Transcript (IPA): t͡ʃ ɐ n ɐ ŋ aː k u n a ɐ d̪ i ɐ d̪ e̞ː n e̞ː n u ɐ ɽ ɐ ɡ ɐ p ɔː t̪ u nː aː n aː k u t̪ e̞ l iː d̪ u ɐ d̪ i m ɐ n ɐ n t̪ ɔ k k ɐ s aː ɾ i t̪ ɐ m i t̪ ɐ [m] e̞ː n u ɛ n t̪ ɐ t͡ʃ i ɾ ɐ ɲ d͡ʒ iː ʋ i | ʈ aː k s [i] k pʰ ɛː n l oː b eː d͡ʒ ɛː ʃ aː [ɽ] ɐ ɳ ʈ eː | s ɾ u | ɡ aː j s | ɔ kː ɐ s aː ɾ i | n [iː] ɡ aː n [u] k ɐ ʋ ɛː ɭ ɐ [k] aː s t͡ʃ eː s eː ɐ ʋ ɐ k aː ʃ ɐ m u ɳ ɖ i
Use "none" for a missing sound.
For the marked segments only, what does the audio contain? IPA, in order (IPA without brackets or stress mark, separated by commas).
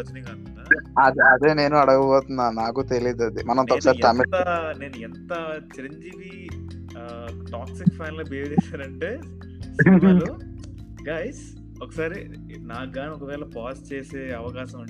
n, i, ɾ, aː, ɔ, p